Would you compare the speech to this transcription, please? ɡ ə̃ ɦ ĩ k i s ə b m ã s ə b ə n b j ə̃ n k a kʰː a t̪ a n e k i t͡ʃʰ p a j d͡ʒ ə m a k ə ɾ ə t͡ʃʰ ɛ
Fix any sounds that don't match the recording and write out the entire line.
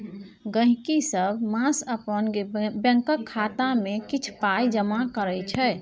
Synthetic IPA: ɡ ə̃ ɦ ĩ k i s ə b m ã s ə p ə n b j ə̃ ŋ k ə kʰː a t̪ a m e k i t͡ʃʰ p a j d͡ʒ ə m a k ə ɾ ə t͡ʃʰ ɛ

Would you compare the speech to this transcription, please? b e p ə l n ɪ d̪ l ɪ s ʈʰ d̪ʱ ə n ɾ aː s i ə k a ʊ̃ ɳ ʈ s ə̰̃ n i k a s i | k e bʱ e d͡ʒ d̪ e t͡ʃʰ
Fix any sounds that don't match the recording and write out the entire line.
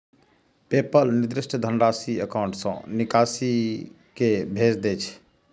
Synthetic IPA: p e p ə l n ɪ d̪ ɾ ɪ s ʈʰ d̪ʱ ə n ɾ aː s i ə k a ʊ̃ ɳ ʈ s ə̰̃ n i k a s i | k e bʱ e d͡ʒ d̪ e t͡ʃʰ

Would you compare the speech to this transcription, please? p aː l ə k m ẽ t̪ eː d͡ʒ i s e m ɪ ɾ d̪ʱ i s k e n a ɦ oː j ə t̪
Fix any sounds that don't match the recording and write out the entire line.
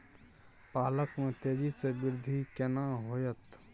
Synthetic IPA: p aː l ə k m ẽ t̪ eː d͡ʒ i s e b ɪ ɾ d̪ʱ i k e n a ɦ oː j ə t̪

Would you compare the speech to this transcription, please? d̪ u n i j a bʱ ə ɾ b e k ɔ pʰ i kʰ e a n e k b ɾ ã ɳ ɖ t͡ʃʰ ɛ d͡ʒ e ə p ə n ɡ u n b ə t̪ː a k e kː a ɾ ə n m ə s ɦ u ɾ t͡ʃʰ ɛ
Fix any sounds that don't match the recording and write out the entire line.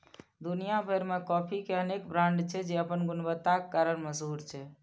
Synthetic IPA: d̪ u n i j a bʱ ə ɾ m e k ɔ pʰ i k e ə n e k b ɾ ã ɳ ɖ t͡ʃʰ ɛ d͡ʒ e ə p ə n ɡ u n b ə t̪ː a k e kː a ɾ ə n m ə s ɦ u ɾ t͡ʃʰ ɛ

